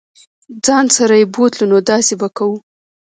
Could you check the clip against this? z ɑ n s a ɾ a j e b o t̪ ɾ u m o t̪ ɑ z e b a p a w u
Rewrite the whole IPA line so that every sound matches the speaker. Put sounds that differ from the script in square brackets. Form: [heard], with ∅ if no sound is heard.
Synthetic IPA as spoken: [d͡z] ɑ n s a ɾ a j e b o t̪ [l] u [n] o [d̪] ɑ [s] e b a [k] a w u